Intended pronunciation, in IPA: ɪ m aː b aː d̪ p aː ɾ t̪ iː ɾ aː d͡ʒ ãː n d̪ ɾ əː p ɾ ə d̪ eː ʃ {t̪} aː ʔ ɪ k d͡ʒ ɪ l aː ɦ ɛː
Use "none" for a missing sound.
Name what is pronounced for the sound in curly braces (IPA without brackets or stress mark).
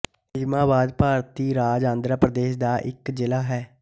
d̪